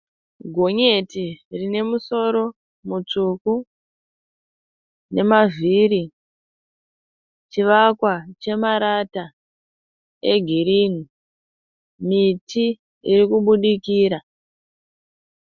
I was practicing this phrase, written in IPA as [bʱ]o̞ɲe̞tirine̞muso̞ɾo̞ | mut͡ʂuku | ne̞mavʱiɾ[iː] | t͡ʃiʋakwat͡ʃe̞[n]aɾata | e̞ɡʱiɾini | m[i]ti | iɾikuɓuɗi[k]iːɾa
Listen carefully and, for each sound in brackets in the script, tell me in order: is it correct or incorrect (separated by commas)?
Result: incorrect, incorrect, incorrect, correct, correct